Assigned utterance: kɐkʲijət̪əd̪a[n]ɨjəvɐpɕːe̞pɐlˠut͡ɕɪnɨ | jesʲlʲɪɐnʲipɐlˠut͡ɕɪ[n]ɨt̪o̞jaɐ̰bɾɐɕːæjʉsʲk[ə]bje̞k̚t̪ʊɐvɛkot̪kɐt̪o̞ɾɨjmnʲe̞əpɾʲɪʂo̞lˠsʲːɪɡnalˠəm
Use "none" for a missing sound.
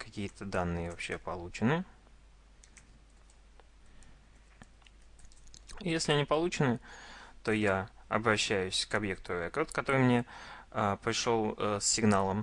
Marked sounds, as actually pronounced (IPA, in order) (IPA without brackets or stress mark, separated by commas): nː, n, ɐ